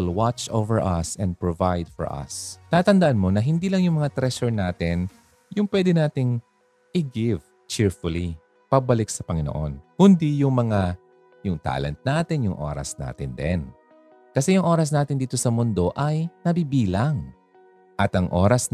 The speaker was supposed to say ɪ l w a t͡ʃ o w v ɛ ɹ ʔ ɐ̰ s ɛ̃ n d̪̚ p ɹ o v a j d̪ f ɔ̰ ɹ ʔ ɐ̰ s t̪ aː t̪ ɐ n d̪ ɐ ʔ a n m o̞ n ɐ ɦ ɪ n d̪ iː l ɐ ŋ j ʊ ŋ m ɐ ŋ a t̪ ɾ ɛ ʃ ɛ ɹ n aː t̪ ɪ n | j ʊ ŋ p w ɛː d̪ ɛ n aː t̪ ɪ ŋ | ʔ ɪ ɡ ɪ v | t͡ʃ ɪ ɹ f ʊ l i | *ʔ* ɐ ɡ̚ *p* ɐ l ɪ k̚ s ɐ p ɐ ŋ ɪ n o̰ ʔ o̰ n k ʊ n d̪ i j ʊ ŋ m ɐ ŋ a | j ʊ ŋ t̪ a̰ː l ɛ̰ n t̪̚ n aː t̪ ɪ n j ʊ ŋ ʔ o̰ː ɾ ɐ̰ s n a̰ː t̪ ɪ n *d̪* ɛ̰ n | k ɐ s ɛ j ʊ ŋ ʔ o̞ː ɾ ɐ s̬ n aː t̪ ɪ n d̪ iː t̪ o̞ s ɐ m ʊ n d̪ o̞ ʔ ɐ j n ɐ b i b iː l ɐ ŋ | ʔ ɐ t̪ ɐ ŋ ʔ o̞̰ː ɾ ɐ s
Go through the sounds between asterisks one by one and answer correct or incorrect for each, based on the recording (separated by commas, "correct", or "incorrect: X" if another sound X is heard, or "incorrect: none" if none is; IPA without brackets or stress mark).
incorrect: p, incorrect: b, correct